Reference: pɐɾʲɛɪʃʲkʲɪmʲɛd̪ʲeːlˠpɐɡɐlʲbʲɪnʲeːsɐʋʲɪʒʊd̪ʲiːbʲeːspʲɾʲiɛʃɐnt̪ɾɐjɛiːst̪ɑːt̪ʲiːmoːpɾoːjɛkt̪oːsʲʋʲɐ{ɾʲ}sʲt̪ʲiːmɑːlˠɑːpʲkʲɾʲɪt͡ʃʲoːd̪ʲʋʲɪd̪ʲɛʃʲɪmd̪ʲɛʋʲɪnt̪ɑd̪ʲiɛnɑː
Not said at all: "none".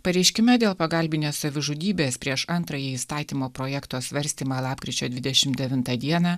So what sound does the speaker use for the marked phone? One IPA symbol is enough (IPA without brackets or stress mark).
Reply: ɾʲ